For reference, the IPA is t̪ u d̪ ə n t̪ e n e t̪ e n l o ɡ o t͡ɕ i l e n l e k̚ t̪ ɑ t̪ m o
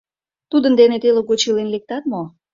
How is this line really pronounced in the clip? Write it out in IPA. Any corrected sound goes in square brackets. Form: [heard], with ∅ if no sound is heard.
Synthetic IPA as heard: t̪ u d̪ ə n [d̪] e n e t̪ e [∅] l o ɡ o t͡ɕ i l e n l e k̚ t̪ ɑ t̪ m o

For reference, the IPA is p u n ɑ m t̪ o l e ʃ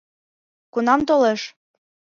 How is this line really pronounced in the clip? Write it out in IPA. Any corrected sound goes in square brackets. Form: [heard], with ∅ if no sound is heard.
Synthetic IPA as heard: [k] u n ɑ m t̪ o l e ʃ

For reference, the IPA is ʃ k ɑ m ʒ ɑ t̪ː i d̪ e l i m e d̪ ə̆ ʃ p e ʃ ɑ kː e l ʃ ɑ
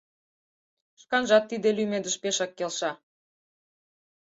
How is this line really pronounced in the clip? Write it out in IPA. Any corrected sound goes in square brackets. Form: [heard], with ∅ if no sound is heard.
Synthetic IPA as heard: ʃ k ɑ [n] ʒ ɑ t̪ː i d̪ e l [y] m e d̪ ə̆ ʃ p e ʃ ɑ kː e l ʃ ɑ

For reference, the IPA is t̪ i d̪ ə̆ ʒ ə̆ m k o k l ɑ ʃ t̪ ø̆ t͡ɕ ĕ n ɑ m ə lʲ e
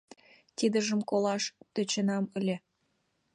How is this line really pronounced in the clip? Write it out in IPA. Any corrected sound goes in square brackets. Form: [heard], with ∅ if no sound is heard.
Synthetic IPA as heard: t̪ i d̪ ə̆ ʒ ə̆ m k o [∅] l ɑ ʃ t̪ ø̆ t͡ɕ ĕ n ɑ m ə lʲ e

